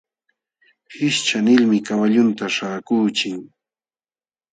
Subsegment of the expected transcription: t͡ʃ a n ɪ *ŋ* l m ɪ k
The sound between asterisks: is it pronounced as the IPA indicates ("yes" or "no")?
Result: no